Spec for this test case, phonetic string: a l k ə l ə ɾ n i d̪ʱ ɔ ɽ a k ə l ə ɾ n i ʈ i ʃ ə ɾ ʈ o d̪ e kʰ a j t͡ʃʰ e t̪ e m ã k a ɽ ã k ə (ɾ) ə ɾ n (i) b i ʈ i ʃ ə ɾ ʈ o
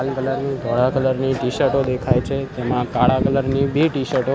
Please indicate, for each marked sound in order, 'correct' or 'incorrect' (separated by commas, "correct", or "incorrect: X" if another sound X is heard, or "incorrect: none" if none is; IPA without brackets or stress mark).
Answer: incorrect: l, correct